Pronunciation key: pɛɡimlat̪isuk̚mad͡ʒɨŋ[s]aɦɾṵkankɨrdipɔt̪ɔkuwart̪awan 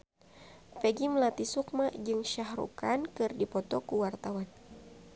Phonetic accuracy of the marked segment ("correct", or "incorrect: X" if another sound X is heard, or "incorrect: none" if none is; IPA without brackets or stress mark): incorrect: ʃ